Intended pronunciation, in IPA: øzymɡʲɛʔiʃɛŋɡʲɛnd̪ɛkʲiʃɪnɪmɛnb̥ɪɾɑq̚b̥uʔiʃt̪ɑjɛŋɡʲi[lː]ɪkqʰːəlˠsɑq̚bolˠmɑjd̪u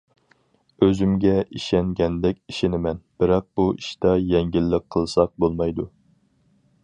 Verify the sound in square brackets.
correct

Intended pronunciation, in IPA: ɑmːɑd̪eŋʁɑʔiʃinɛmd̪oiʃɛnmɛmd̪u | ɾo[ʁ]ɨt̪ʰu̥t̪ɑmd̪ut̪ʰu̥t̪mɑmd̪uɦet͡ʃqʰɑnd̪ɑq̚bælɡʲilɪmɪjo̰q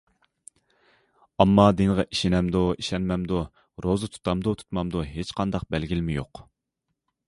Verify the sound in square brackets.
incorrect: z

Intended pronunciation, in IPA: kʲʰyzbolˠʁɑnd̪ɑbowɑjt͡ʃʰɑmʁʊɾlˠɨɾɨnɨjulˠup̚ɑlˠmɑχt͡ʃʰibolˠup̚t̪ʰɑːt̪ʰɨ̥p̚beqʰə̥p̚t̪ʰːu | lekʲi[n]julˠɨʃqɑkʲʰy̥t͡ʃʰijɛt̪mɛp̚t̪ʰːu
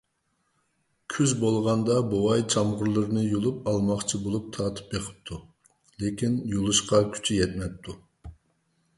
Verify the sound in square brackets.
correct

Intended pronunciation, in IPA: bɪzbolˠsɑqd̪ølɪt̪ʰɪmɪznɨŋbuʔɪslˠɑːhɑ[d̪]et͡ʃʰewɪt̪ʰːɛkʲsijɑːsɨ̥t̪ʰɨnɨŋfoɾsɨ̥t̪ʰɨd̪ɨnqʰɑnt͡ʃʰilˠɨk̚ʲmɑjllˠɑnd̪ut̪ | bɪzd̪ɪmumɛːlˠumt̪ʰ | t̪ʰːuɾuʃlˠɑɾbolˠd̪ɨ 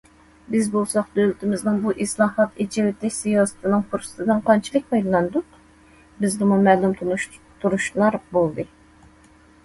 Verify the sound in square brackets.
incorrect: t̪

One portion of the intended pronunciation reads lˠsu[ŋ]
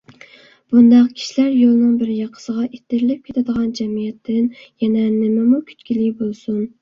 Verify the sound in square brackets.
incorrect: n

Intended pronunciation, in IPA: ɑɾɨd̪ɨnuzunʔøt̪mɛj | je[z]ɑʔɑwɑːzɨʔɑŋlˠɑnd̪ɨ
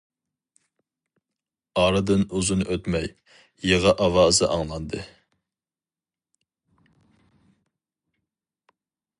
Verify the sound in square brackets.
incorrect: ʁ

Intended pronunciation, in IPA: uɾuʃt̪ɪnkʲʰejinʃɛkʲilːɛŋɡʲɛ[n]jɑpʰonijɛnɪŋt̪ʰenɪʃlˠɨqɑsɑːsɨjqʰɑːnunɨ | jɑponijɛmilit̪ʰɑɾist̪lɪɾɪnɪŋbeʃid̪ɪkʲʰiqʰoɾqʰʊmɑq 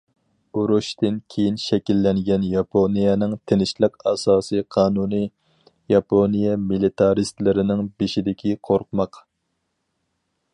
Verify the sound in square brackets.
correct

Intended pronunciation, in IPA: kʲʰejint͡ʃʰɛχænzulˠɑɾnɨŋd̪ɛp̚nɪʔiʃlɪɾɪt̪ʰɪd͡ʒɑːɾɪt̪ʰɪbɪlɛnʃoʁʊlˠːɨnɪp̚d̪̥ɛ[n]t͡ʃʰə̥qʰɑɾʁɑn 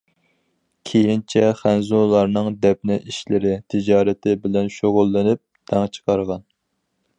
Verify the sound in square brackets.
incorrect: ŋ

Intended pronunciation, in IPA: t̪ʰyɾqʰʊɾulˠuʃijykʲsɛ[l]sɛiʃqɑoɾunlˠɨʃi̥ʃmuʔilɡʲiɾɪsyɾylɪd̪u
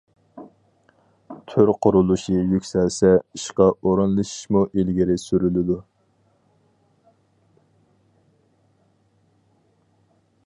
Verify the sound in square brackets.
correct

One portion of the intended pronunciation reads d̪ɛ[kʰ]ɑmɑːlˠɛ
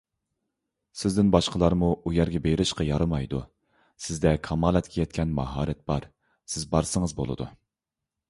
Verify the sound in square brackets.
correct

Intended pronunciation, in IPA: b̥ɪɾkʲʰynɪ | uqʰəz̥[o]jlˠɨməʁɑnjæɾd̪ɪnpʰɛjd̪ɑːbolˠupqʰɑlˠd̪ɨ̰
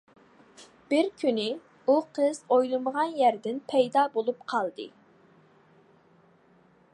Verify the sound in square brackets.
correct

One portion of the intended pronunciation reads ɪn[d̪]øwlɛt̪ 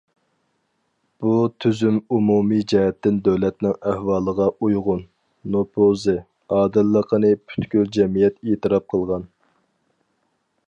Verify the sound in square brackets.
correct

